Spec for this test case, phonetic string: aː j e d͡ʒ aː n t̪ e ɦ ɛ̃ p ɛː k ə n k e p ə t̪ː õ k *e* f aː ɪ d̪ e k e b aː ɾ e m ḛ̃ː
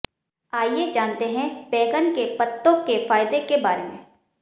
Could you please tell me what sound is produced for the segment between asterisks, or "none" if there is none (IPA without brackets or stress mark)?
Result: e